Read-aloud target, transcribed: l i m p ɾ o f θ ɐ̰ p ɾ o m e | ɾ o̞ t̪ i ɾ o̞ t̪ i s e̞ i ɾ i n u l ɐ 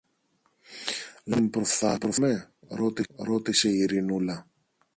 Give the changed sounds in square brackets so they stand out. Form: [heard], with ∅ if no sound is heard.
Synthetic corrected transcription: l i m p ɾ o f θ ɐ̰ p ɾ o m e | ɾ o̞ t̪ i ɾ o̞ t̪ i s e̞ i ɾ i n u l ɐ